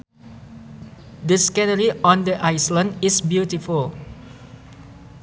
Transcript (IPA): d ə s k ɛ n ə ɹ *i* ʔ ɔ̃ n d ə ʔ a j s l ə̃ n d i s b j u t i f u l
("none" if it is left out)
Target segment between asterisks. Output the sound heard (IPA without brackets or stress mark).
i